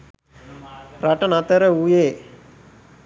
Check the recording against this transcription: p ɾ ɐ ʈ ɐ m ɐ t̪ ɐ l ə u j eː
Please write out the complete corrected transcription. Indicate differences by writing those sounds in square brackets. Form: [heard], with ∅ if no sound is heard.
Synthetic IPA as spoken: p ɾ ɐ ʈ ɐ [n] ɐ t̪ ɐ [ɾ] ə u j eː